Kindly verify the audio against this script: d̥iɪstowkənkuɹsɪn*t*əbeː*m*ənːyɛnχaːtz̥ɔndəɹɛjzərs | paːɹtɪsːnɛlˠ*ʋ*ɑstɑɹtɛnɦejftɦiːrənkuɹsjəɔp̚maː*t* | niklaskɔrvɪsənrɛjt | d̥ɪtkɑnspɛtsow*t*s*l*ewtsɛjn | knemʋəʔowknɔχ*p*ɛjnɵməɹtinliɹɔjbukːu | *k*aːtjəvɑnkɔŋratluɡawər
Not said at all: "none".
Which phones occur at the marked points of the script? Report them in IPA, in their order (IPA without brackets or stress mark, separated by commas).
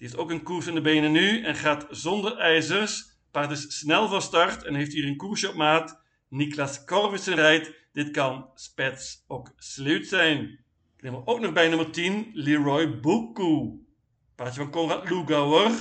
d, n, v, t, k, l, b, p